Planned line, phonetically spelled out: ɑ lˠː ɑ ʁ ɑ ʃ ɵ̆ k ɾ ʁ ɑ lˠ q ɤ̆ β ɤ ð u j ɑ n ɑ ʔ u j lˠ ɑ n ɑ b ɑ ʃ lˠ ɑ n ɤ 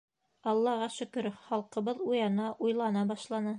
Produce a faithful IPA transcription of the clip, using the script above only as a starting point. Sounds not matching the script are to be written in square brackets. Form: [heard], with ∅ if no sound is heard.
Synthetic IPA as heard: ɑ lˠː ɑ ʁ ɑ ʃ ɵ̆ k ɾ [χ] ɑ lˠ q ɤ̆ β ɤ ð u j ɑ n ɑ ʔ u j lˠ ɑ n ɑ b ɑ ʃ lˠ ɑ n ɤ